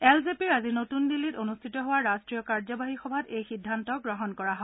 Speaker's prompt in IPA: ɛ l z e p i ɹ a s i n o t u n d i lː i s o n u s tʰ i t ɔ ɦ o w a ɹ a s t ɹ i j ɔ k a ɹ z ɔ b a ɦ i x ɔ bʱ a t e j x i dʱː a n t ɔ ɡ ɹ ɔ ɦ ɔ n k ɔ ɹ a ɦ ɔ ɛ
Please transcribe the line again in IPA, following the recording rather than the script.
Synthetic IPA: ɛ l z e p i ɹ a z i n o t u n d i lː i t o n u s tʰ i t ɔ ɦ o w a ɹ a s t ɹ i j ɔ k a ɹ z ɔ b a ɦ i x ɔ bʱ a t e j x i dʱː a n t ɔ ɡ ɹ ɔ ɦ ɔ n k ɔ ɹ a ɦ ɔ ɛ